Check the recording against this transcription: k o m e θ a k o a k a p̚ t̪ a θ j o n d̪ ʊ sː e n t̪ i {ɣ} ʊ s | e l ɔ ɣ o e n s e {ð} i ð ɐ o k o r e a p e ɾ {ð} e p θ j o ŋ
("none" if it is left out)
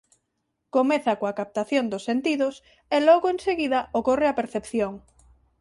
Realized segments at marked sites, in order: ð, ɣ, θ

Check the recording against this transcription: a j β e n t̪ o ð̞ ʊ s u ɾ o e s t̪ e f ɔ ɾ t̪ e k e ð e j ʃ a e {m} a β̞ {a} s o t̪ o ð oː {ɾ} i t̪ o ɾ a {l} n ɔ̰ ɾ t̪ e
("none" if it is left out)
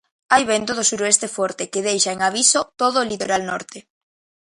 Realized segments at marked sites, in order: ŋ, i, l, l

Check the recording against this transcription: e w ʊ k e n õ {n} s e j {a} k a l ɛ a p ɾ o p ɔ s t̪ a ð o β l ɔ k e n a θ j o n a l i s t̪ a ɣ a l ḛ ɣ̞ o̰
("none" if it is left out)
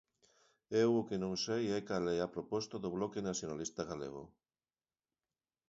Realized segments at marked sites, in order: ŋ, ɛ

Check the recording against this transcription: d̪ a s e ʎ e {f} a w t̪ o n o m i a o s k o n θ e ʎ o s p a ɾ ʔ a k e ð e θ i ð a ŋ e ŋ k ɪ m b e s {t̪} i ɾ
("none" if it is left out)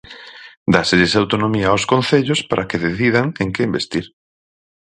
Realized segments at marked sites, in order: s, t̪

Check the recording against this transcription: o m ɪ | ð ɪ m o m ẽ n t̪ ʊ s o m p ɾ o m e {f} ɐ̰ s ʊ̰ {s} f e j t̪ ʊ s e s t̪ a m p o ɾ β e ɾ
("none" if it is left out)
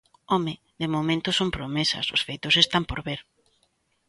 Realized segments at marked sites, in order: s, s

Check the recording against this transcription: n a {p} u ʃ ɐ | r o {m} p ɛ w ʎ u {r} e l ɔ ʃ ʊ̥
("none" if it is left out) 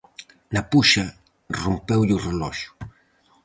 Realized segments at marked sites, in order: p, m, r

